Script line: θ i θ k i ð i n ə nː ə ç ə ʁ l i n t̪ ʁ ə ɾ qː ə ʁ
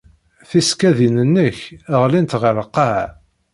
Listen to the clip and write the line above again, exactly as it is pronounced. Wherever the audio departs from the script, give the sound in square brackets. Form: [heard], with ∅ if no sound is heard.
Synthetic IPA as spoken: θ i [s] k [æ] ð i n ə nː ə ç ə ʁ l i n t̪ ʁ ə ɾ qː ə [ʕ]